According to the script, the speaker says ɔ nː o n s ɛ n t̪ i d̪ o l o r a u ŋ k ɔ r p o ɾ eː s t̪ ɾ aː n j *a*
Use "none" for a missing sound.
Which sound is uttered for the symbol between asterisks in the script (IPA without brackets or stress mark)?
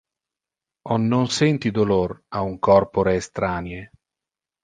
e